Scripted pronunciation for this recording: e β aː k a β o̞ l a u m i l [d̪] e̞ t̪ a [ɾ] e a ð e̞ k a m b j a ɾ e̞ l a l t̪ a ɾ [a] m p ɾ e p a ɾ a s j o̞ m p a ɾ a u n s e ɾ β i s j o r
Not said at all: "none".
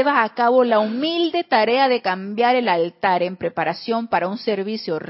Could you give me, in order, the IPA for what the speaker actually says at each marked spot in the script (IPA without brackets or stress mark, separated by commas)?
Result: d̪, ɾ, e